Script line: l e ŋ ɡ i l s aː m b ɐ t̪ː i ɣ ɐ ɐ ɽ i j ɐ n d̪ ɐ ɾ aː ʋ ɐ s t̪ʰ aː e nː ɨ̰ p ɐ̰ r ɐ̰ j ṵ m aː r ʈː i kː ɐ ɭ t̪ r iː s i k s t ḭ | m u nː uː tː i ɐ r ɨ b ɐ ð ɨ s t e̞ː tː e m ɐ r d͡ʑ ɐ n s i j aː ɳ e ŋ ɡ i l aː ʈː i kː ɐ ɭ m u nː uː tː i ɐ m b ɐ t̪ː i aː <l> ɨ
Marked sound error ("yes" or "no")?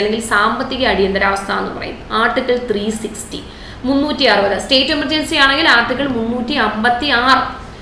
yes